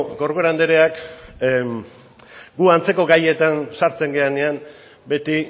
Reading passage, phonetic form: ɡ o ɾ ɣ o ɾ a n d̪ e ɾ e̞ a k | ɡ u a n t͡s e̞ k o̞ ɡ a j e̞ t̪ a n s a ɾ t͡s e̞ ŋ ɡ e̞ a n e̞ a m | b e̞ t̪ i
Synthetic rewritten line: ɡ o ɾ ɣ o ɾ a n d̪ e ɾ e̞ a k | ɡ u a n t͡s e̞ k o̞ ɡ a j e̞ t̪ a n s a ɾ t͡s e̞ ŋ ɡ e̞ a n e̞ a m | b e̞ t̪ i